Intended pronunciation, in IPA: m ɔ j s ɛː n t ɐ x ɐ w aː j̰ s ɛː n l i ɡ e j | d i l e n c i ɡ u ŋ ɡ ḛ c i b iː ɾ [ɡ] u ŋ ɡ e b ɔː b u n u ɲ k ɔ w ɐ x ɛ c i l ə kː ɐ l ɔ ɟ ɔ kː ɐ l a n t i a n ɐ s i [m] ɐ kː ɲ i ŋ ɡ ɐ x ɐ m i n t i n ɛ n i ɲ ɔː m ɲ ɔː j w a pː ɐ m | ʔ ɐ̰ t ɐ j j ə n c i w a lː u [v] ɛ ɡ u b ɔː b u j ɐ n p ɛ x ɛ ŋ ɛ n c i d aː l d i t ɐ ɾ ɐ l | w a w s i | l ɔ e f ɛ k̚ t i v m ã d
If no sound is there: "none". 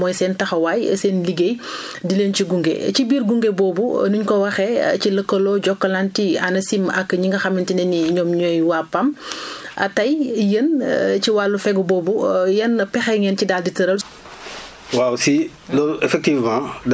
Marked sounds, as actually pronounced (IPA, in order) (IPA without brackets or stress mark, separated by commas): ɡ, m, f